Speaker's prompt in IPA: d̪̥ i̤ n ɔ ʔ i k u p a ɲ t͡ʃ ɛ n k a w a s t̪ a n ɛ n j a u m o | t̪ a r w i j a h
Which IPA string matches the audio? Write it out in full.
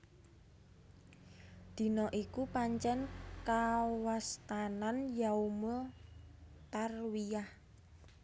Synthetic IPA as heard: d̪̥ i̤ n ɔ ʔ i k u p a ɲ t͡ʃ ɛ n k a w a s t̪ a n a n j a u m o | t̪ a r w i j a h